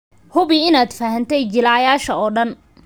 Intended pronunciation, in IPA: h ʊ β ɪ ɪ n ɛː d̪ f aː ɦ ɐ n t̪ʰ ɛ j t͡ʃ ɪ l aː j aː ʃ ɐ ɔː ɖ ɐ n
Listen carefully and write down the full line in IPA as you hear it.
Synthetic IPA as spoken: h ʊ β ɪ ɪ n aː d̪ f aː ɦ ɐ n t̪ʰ ɛ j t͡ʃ ɪ l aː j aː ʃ ɐ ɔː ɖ ɐ n